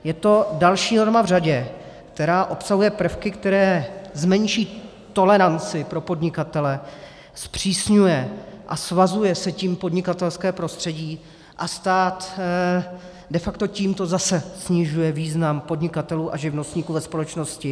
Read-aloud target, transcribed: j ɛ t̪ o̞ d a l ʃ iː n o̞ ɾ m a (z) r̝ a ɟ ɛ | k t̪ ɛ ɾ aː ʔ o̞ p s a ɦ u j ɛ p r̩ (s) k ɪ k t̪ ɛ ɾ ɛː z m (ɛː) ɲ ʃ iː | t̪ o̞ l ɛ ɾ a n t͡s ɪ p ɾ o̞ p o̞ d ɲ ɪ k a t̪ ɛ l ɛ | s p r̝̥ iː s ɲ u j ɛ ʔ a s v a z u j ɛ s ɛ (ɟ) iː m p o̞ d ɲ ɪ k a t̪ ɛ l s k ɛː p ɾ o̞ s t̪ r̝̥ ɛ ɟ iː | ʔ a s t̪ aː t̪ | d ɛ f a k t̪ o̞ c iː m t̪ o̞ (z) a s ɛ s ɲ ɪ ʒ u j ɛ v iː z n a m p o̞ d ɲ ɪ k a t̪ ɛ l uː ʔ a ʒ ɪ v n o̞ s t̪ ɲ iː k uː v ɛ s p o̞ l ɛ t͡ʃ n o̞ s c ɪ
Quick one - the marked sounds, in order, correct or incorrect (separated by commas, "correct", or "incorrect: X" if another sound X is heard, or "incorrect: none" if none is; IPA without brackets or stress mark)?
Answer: incorrect: v, incorrect: f, incorrect: ɛ, incorrect: c, correct